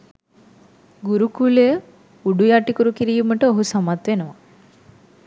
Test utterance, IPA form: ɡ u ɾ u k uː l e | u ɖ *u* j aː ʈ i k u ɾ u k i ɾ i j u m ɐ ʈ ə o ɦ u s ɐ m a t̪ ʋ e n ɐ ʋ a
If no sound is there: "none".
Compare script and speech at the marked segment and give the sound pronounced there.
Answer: u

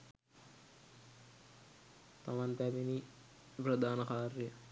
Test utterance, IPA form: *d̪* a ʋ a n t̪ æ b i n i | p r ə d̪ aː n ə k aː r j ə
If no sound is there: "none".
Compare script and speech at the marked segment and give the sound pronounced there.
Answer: t̪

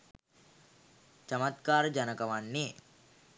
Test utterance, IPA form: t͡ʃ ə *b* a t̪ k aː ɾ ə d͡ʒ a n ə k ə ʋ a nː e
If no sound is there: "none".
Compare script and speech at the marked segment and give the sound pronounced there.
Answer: m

